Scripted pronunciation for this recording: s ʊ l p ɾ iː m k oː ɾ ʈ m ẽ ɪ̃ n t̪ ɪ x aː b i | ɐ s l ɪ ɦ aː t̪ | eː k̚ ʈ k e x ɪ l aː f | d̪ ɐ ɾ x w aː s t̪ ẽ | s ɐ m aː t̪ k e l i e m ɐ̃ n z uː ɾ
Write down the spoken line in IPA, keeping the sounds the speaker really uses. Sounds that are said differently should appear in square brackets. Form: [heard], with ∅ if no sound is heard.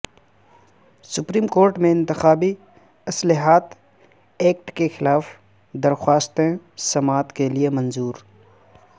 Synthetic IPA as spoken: s ʊ [∅] p ɾ iː m k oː ɾ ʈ m ẽ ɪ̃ n t̪ ɪ x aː b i | ɐ s l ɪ ɦ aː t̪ | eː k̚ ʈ k e x ɪ l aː f | d̪ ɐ ɾ x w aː s t̪ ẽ | s ɐ m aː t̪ k e l i e m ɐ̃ n z uː ɾ